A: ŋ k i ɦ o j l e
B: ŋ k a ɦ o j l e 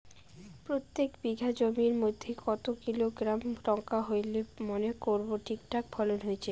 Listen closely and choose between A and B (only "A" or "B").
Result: B